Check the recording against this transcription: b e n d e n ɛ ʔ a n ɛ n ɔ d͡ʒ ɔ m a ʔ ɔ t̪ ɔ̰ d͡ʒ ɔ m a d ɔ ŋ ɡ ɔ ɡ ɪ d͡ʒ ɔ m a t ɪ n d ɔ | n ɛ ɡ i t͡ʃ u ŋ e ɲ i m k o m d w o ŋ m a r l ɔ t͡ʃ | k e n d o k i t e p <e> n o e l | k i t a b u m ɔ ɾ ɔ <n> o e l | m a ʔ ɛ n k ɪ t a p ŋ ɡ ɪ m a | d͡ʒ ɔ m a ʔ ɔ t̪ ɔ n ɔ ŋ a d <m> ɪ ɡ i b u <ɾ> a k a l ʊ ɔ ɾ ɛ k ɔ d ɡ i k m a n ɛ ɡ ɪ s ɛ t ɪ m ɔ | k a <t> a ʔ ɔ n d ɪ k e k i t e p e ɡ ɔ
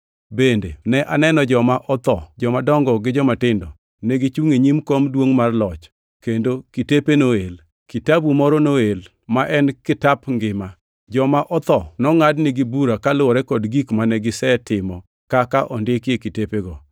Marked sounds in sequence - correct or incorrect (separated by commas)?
correct, correct, incorrect, correct, incorrect